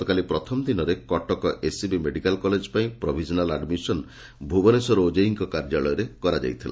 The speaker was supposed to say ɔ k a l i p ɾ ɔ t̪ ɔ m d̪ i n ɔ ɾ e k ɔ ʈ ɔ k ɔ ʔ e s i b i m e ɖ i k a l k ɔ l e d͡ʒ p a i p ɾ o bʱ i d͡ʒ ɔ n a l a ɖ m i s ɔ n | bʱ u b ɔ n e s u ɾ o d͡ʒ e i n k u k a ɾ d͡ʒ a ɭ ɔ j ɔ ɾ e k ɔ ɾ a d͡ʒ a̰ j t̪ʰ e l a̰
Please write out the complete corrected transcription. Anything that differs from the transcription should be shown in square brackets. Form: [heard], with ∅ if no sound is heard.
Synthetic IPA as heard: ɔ k a l i p ɾ ɔ [t̪ʰ] ɔ m d̪ i n ɔ ɾ e k ɔ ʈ ɔ k ɔ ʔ e s i b i m e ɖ i k a l k ɔ l e d͡ʒ p a [ĩ] p ɾ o bʱ i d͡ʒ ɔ n a l a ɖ m i s ɔ n | bʱ u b ɔ n e s [ɔ] ɾ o d͡ʒ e i [ŋ] k [ɔ] k a ɾ d͡ʒ a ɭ ɔ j ɔ ɾ e k ɔ ɾ a d͡ʒ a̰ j t̪ʰ [i] l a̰

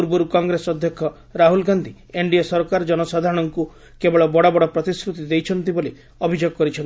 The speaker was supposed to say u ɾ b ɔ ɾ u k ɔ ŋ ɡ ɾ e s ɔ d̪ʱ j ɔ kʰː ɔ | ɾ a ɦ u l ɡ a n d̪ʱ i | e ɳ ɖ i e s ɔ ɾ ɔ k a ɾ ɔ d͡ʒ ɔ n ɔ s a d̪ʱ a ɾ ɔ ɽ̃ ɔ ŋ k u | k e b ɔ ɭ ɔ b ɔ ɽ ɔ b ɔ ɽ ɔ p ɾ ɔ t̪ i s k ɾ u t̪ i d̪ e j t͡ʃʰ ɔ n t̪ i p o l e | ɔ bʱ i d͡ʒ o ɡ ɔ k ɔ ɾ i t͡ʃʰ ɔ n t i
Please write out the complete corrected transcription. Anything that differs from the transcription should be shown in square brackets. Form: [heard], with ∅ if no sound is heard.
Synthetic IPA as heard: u ɾ b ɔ ɾ u k ɔ ŋ ɡ ɾ e s ɔ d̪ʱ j ɔ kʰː ɔ | ɾ a ɦ u l ɡ a n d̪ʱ i | e ɳ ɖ i e s ɔ ɾ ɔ k a ɾ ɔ d͡ʒ ɔ n ɔ s a d̪ʱ a ɾ ɔ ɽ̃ ɔ ŋ k u | k e b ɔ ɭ ɔ b ɔ ɽ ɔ b ɔ ɽ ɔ p ɾ ɔ t̪ i s k ɾ u t̪ i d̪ e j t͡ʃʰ ɔ n t̪ i [b] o l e | ɔ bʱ i d͡ʒ o ɡ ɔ k ɔ ɾ i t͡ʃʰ ɔ n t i

